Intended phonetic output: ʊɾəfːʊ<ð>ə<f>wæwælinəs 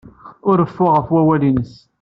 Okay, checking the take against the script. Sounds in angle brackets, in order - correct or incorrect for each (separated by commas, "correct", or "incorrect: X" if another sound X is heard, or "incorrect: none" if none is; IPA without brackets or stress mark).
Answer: incorrect: ʁ, correct